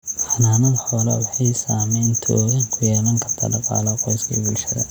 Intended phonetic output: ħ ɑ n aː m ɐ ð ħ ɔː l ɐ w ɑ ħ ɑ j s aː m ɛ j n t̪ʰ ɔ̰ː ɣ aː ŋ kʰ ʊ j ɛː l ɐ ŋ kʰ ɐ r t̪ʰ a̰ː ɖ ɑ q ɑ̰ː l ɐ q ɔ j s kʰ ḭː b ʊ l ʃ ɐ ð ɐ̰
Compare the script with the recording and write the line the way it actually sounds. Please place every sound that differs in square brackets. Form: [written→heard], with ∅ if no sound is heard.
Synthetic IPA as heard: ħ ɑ n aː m ɐ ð ħ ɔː l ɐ w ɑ ħ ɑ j s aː m ɛ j n t̪ʰ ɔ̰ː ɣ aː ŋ kʰ ʊ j ɛː l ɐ ŋ kʰ ɐ r t̪ʰ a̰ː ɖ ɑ q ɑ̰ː l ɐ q ɔ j s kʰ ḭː b ʊ l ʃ ɐ ð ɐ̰